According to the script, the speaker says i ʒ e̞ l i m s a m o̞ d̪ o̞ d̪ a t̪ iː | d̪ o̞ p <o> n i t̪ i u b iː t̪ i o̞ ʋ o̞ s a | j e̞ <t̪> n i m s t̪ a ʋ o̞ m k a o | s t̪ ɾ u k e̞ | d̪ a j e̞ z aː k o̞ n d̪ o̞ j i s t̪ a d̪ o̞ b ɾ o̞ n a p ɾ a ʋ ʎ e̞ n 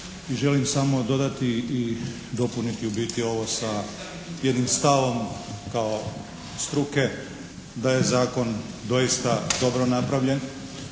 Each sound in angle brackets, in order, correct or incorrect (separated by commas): incorrect, incorrect